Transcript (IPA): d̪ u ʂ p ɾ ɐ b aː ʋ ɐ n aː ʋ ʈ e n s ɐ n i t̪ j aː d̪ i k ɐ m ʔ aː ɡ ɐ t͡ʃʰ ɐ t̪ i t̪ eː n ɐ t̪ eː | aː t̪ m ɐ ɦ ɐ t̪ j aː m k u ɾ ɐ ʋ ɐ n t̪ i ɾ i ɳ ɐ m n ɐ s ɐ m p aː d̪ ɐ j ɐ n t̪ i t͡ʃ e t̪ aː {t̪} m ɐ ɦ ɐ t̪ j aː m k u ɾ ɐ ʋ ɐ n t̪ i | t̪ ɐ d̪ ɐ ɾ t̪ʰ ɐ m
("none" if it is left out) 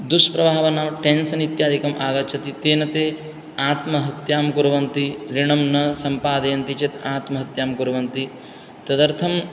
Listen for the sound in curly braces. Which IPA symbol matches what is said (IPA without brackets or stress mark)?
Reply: t̪